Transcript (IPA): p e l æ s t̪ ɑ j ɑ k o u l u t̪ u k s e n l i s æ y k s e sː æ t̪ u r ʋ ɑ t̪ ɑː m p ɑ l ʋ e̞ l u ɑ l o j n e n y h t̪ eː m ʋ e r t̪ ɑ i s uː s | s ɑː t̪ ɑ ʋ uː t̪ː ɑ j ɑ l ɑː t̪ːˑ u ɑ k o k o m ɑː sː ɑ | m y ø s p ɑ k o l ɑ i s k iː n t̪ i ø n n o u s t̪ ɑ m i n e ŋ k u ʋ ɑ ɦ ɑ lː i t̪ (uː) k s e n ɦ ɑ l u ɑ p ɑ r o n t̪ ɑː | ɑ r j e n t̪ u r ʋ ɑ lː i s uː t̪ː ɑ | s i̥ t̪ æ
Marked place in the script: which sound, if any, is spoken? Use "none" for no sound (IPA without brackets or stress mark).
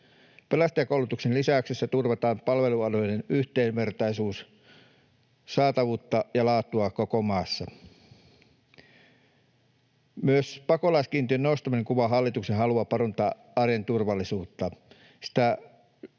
u